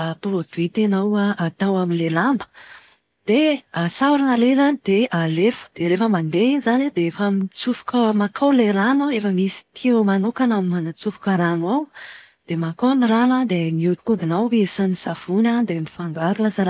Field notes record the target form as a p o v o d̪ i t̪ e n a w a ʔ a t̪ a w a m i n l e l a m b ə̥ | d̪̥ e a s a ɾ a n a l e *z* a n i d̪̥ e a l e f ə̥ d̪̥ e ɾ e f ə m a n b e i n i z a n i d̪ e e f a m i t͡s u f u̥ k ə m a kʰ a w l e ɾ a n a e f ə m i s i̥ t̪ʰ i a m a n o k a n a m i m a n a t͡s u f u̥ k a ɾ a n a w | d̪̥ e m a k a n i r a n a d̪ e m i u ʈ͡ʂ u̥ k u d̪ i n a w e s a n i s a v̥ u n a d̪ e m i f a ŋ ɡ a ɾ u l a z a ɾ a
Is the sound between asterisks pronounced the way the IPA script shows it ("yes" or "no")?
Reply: yes